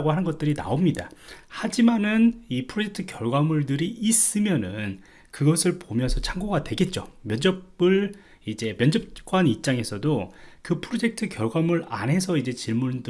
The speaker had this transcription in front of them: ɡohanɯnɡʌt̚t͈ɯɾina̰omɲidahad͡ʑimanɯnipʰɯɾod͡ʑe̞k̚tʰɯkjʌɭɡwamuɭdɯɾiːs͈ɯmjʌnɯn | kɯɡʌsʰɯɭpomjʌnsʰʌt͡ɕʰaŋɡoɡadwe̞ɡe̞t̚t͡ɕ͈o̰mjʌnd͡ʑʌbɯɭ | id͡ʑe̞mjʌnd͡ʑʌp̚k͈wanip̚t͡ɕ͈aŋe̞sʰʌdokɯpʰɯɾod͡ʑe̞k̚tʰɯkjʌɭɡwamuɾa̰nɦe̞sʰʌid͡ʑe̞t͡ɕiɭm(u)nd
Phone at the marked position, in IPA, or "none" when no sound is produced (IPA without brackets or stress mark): u